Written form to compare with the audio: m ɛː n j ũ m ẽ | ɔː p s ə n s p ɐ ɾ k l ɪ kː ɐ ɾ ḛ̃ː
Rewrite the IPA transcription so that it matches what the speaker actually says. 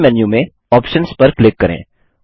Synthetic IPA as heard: m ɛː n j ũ m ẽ | ɔː p ʃ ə n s p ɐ ɾ k l ɪ kː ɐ ɾ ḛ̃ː